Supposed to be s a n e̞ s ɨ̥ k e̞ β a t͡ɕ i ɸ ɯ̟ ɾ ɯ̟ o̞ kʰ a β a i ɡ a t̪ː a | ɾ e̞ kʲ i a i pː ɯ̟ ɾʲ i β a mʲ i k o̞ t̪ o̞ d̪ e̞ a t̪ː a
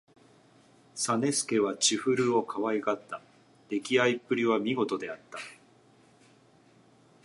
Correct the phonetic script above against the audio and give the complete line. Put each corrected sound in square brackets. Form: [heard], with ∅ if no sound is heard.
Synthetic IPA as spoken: s a n e̞ s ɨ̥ k e̞ β a t͡ɕ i ɸ ɯ̟ ɾ ɯ̟ o̞ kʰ a β a i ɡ a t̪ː a | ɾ e̞ kʲ i a i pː ɯ̟ ɾʲ i β a mʲ i [ɡ] o̞ t̪ o̞ d̪ e̞ a t̪ː a